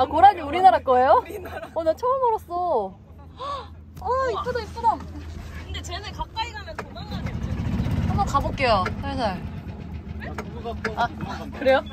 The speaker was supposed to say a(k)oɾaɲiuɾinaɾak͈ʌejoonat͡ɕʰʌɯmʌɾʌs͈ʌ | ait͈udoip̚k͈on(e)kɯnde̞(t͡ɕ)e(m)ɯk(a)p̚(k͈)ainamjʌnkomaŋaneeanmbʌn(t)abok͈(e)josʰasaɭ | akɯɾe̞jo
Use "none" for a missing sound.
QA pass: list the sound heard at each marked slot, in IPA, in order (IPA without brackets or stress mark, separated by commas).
k, a, t͡ɕ, n, a, k͈, k, e